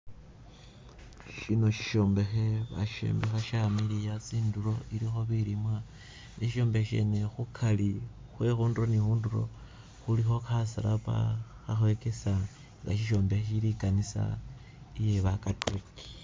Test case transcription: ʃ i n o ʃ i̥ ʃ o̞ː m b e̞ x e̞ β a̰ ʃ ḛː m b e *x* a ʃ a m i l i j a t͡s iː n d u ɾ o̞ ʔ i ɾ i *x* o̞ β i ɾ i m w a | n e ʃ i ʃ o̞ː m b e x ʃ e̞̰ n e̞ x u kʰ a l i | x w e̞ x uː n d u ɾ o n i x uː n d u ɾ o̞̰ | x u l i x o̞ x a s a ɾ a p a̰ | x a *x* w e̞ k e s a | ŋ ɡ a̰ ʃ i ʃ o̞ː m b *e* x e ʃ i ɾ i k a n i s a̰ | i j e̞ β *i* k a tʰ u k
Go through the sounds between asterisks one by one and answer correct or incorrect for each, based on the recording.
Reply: correct, correct, correct, correct, incorrect: a

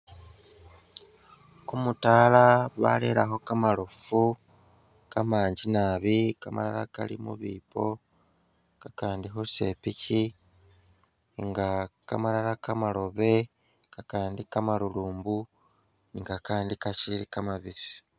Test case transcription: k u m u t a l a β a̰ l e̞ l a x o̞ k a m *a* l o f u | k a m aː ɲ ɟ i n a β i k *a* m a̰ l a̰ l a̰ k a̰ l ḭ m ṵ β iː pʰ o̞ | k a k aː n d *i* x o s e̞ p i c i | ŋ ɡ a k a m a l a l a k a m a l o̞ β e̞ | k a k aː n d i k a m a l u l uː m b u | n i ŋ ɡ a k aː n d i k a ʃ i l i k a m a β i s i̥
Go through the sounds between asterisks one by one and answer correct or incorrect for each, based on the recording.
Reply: correct, correct, correct

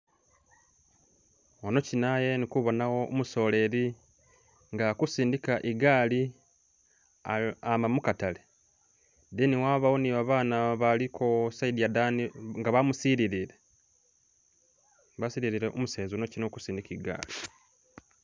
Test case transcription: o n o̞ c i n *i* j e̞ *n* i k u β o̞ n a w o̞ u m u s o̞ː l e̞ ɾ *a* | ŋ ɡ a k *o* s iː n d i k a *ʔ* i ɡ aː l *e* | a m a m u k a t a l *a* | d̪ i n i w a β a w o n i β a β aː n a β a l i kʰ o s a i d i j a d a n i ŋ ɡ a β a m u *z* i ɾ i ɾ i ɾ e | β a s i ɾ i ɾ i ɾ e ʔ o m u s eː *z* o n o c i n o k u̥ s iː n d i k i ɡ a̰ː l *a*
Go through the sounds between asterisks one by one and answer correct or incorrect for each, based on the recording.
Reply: incorrect: a, correct, incorrect: i, incorrect: u, correct, incorrect: i, incorrect: e, incorrect: s, correct, incorrect: i

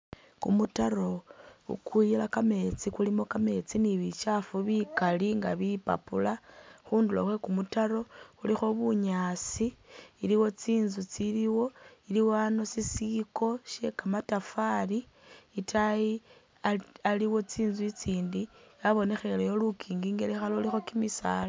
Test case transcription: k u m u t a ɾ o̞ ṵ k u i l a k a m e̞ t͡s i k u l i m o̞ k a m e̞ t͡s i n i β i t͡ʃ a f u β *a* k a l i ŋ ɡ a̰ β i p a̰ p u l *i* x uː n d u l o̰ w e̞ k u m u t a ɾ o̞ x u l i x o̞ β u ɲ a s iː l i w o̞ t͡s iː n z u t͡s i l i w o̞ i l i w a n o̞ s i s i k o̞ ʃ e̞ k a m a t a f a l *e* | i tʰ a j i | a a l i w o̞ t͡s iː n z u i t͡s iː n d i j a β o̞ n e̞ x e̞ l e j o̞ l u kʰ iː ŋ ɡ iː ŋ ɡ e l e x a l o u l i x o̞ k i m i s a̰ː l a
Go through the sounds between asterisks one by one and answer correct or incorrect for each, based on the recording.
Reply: incorrect: i, incorrect: a, incorrect: i

